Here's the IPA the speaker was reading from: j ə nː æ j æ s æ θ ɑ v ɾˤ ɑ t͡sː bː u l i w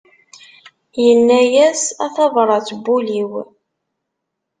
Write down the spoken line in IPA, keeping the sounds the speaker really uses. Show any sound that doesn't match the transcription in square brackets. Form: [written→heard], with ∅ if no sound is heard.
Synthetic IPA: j ə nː æ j æ s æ θ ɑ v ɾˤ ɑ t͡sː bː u l i w

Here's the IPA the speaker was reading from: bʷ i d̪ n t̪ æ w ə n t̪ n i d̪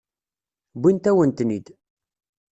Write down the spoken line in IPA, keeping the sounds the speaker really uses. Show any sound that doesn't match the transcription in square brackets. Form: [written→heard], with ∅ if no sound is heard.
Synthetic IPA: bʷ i [d̪→∅] n t̪ æ w ə n t̪ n i d̪

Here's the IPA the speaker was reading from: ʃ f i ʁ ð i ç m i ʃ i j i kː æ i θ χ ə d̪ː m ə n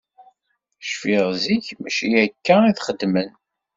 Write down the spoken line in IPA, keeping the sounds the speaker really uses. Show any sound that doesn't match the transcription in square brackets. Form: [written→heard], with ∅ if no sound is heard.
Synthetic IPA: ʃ f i ʁ [ð→z] i ç m [i→æ] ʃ i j [i→æ] kː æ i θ χ ə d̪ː m ə n

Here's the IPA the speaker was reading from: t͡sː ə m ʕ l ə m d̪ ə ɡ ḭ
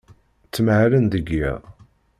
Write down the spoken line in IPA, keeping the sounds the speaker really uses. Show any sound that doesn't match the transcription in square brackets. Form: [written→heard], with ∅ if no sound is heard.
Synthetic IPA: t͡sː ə m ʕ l ə [m→n] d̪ ə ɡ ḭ

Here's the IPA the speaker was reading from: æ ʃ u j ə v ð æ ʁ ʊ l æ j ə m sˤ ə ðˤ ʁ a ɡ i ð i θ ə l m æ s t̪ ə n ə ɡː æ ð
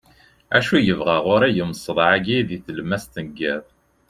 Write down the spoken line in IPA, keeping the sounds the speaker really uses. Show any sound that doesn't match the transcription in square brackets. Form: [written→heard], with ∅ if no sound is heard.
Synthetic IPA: æ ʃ u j ə v [ð→ʁ] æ ʁ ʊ [l→ɾ] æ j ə m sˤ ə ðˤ [ʁ→ʕ] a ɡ i ð i θ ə l m æ s t̪ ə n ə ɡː æ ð

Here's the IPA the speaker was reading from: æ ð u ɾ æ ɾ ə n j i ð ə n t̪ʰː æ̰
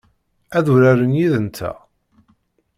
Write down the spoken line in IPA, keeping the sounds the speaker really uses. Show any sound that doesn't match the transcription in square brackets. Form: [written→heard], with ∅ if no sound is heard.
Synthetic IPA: æ ð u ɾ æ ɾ ə n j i ð ə n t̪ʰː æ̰

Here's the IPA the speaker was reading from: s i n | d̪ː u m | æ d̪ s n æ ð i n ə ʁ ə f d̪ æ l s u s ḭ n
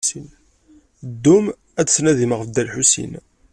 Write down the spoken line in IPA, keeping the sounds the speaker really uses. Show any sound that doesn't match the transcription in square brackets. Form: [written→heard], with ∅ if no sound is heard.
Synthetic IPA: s i n | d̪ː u m | æ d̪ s n æ ð i [n→m] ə ʁ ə f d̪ æ l [s→ħ] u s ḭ n

